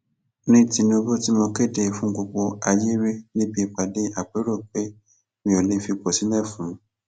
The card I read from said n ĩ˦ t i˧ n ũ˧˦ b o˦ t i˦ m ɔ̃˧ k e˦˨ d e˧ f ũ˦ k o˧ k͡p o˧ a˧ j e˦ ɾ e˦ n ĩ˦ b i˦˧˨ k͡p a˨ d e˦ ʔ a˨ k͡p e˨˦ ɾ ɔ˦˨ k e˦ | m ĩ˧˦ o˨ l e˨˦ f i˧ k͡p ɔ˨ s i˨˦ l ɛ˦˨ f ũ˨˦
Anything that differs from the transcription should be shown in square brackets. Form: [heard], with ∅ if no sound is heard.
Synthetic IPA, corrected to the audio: n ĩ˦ t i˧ n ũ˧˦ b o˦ t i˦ m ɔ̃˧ k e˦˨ d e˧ f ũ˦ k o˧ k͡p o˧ a˧ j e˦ ɾ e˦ n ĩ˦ b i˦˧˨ k͡p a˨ d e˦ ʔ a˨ k͡p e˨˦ ɾ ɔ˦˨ [k͡p] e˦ | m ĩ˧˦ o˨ l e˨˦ f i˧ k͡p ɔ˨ s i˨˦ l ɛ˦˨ f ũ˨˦

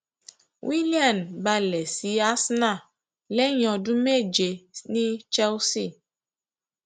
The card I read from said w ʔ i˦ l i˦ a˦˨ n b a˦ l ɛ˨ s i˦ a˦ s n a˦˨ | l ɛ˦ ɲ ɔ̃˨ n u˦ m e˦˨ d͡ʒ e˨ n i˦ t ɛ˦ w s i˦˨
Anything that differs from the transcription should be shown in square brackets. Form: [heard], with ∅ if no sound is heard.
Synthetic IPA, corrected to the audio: w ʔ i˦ l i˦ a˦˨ n b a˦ l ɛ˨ s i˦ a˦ s n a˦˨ | l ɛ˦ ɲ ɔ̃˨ [d] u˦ m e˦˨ d͡ʒ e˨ n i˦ [t͡ʃ] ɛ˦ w s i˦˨

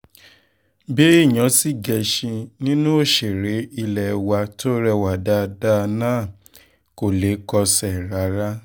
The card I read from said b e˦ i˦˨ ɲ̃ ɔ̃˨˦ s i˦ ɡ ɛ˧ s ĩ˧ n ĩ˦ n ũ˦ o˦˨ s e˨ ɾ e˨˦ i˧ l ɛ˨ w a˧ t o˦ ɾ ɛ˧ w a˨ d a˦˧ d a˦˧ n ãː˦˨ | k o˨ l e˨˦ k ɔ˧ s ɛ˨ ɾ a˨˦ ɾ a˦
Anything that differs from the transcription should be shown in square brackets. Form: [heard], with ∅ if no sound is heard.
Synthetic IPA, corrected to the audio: b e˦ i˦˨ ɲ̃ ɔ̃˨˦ s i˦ ɡ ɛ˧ [ʃ] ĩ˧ n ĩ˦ n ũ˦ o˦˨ [ʃ] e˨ ɾ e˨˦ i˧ l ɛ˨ w a˧ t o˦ ɾ ɛ˧ w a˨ d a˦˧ d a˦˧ n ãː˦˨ | k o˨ l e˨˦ k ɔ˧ s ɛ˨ ɾ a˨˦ ɾ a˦

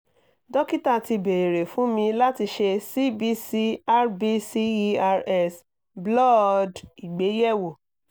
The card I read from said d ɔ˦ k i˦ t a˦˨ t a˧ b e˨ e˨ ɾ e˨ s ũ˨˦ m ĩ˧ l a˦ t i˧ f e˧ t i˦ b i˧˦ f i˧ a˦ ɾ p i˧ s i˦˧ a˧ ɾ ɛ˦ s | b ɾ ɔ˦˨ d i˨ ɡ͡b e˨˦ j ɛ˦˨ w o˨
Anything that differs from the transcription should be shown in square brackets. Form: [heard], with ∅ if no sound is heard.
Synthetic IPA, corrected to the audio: d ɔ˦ k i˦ t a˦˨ t [i˧] b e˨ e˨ ɾ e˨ [f] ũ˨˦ m ĩ˧ l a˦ t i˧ [ʃ] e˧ [s] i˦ b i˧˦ [s] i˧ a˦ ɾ [b] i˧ s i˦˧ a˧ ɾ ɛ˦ s | b [l] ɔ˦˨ d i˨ ɡ͡b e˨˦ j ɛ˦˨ w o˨

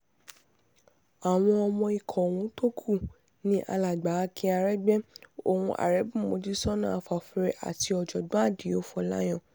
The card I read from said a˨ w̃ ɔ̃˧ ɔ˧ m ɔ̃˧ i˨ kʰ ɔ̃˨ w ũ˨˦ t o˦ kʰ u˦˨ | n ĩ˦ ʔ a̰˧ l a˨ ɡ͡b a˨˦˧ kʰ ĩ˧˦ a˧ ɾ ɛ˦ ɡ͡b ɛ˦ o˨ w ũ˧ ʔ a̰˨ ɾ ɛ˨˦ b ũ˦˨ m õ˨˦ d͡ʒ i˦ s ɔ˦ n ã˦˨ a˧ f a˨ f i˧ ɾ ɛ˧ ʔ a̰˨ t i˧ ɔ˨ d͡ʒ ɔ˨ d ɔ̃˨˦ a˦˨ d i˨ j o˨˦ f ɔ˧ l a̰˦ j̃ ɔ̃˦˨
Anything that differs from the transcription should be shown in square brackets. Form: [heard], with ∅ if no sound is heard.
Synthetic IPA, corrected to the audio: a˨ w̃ ɔ̃˧ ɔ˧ m ɔ̃˧ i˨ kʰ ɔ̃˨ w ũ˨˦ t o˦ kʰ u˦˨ | n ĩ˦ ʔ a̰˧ l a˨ ɡ͡b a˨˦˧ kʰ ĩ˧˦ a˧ ɾ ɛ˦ ɡ͡b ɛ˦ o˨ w ũ˧ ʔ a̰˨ ɾ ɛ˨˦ b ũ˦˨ m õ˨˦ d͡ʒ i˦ s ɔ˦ n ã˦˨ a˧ f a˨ f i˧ ɾ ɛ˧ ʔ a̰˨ t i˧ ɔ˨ d͡ʒ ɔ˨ d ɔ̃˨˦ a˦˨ d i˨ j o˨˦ f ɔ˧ l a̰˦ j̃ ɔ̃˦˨

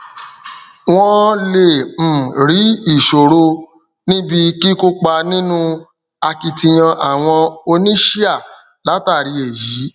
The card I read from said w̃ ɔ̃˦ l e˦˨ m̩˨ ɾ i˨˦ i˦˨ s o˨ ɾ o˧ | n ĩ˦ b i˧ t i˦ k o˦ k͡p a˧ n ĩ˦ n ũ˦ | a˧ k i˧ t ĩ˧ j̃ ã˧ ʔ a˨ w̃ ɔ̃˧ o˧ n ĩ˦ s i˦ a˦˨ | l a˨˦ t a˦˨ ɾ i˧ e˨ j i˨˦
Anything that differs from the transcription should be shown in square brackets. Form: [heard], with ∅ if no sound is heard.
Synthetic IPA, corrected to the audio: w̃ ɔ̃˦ l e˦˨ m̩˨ ɾ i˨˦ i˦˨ [ʃ] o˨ ɾ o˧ | n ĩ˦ b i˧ [k] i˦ k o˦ k͡p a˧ n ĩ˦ n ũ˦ | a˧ k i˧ t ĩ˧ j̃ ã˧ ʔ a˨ w̃ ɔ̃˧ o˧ n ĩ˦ [ʃ] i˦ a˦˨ | l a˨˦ t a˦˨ ɾ i˧ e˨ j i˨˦

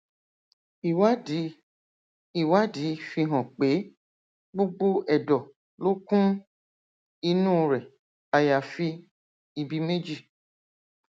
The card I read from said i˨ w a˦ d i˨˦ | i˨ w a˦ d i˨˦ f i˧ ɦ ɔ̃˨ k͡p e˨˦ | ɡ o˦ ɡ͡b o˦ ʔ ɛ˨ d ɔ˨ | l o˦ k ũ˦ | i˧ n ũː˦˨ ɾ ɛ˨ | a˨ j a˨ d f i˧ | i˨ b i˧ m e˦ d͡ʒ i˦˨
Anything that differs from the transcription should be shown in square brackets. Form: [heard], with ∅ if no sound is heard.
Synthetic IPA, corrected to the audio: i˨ w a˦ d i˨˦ | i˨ w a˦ d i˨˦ f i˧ ɦ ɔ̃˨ k͡p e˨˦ | [ɡ͡b] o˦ ɡ͡b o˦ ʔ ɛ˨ d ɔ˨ | l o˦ k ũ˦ | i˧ n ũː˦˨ ɾ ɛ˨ | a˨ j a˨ [∅] f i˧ | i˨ b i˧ m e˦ d͡ʒ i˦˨

